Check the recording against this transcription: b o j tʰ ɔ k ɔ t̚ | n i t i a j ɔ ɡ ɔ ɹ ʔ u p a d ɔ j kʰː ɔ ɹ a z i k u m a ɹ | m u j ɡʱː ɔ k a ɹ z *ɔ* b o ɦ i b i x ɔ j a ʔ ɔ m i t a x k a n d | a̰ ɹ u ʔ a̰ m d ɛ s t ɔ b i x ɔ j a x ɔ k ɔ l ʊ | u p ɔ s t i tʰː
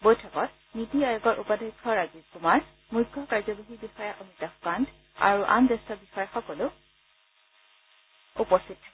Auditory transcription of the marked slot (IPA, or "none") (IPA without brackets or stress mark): ɔ